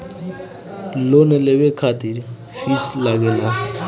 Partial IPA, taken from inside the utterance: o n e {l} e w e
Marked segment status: correct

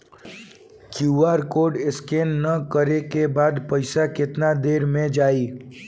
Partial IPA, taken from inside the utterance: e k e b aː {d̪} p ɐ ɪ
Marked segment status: correct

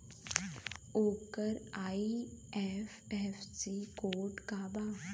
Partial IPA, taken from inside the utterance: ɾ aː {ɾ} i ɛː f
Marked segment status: incorrect: none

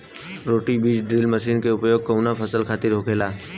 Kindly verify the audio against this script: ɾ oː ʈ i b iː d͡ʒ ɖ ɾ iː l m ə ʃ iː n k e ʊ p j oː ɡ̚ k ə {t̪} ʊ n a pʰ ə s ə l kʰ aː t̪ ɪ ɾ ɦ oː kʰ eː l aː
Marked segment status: incorrect: none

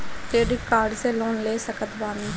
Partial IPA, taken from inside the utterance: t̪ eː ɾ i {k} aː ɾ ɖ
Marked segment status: correct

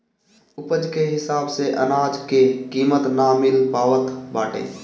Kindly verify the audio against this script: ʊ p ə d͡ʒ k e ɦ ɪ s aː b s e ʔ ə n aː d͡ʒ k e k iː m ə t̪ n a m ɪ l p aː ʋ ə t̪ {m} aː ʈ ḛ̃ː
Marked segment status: incorrect: b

